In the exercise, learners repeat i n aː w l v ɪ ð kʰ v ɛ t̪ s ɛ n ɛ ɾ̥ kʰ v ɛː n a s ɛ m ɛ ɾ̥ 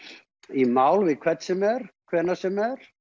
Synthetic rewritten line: i m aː w l v ɪ ð kʰ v ɛ t̪ s ɛ m ɛ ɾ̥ kʰ v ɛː n a s ɛ m ɛ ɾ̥